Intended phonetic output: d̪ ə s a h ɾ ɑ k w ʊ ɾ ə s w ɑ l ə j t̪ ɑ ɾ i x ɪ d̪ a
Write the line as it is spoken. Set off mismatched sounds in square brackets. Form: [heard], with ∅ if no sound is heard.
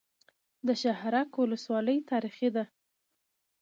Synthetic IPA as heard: d̪ ə [ʃ] a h ɾ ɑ k w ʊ [l] ə s w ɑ l ə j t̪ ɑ ɾ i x [i] d̪ a